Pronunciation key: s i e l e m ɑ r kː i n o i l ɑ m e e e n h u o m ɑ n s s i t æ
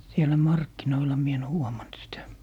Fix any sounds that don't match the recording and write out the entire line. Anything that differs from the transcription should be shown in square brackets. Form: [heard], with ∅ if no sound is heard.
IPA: s i e l [æ] m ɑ r kː i n o i l ɑ m [i] e e n h u o m ɑ n [t] s i t æ